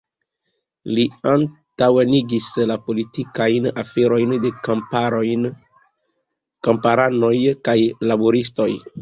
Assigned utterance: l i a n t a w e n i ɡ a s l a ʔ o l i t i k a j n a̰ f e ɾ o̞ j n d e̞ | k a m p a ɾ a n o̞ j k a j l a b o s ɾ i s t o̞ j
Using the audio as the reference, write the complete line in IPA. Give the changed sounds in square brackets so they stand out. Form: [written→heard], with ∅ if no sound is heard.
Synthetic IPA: l i a n t a w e n i ɡ [a→i] s l a [ʔ→p] o l i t i k a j n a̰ f e ɾ o̞ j n d e̞ | k a m p a ɾ a n o̞ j k a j l a b o [s→∅] ɾ i s t o̞ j